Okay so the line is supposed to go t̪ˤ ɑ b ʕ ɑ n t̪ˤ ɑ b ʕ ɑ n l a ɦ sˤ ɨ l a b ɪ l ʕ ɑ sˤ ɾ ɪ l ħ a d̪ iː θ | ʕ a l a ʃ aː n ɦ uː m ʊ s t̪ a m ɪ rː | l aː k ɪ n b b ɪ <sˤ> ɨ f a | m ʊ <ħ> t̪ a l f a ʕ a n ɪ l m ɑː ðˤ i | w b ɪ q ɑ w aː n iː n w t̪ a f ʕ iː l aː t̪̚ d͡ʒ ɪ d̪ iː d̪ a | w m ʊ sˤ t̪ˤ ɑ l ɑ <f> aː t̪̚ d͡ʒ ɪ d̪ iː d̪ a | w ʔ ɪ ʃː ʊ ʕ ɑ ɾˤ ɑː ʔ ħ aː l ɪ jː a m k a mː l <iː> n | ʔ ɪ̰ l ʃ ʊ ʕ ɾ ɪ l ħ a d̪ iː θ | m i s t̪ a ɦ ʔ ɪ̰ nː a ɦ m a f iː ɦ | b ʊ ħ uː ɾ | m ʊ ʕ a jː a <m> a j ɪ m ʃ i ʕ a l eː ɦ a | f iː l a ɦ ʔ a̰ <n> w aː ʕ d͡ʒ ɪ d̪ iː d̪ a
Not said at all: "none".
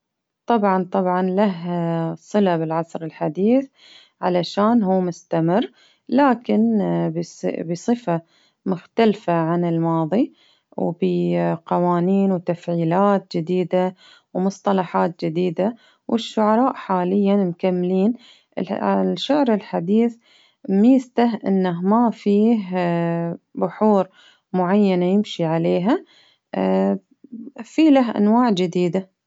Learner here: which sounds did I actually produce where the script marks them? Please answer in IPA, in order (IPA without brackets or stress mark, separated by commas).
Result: sˤ, x, ħ, iː, n, n